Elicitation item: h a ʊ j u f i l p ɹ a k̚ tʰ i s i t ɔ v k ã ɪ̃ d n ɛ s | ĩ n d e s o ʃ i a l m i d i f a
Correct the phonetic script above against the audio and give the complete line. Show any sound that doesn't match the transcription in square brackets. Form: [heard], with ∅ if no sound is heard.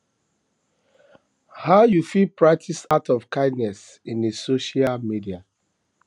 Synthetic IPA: h a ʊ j u f i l p ɹ a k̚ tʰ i s [a] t ɔ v k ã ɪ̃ d n ɛ s | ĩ n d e s o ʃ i a l m i d i [∅] a